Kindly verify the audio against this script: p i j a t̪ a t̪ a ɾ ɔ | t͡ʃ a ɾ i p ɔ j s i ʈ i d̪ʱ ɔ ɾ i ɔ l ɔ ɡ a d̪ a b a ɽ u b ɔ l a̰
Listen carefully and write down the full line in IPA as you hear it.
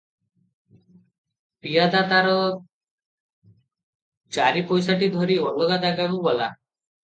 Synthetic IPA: p i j a d̪ a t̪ a ɾ ɔ | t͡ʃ a ɾ i p ɔ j s a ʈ i d̪ʱ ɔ ɾ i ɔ l ɔ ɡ a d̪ a ɡ a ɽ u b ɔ l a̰